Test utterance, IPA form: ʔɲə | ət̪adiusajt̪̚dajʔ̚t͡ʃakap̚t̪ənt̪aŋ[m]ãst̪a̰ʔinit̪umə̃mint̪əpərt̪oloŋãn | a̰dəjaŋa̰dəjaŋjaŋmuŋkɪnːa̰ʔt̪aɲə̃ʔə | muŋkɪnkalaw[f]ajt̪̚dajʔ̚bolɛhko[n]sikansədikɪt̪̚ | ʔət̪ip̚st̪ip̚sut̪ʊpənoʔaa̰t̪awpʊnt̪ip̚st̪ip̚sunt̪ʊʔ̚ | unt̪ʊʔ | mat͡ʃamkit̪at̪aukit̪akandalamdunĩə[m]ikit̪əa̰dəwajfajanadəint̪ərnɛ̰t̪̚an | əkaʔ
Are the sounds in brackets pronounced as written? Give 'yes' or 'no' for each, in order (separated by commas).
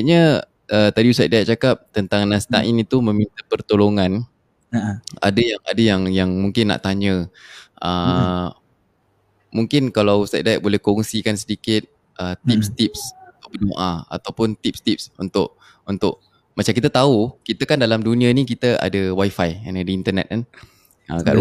no, no, no, no